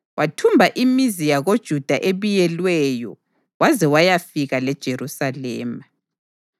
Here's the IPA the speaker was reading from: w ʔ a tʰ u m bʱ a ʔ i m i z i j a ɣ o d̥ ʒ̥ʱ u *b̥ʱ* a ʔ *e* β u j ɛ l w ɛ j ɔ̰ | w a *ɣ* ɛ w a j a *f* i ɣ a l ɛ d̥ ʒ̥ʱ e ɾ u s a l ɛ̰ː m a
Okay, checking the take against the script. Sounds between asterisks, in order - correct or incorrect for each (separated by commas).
incorrect, correct, incorrect, correct